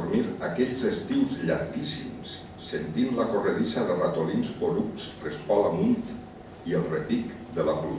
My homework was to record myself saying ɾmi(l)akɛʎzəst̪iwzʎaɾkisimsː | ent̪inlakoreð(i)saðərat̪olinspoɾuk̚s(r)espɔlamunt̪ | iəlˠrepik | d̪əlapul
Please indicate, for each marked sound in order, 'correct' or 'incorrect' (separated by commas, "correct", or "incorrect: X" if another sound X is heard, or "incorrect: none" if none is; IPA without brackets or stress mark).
incorrect: ɾ, correct, correct